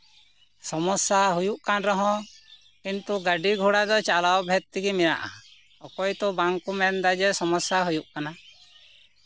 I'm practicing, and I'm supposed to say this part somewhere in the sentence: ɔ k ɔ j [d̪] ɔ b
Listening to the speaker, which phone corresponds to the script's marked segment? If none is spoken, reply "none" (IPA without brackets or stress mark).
t̪